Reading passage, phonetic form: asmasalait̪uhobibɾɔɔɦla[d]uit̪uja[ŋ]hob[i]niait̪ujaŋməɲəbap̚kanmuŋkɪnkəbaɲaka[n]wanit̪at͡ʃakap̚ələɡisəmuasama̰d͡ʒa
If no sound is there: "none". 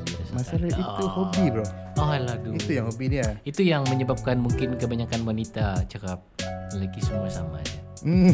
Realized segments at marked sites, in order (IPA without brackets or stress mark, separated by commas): d, ŋ, i, n